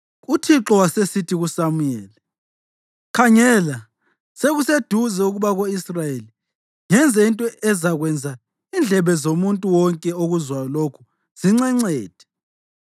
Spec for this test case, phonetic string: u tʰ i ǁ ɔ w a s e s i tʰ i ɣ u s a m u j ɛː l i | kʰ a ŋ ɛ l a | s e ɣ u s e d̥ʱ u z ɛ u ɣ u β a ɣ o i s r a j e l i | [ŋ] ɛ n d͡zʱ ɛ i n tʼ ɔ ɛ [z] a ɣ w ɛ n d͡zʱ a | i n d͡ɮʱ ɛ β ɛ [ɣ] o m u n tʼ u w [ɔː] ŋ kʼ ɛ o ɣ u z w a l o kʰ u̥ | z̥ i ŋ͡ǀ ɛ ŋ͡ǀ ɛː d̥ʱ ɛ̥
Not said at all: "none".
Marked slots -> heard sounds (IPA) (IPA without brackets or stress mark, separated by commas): ŋ, z, z, ɔ